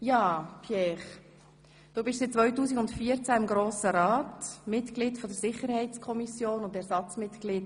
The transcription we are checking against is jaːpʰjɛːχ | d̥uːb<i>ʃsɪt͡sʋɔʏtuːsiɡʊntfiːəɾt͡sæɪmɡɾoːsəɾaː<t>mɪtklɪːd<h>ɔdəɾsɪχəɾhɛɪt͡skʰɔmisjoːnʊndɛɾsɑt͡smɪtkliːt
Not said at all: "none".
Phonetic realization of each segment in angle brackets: ɪ, t, f

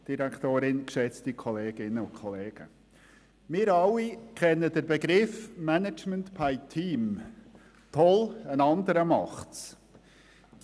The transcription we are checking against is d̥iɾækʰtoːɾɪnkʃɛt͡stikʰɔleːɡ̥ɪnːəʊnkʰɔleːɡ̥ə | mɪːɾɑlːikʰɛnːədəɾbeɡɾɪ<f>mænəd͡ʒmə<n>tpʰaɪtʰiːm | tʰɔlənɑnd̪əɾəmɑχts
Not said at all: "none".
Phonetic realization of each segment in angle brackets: f, n

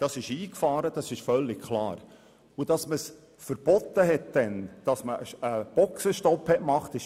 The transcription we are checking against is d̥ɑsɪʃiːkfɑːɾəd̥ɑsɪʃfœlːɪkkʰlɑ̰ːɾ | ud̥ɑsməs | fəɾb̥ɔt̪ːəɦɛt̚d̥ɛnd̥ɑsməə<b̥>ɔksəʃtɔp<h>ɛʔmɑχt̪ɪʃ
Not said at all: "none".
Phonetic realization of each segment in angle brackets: b̥, h

